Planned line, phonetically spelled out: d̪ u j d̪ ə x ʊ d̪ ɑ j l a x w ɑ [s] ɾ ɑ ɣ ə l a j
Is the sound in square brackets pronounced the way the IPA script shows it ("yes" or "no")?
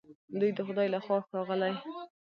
yes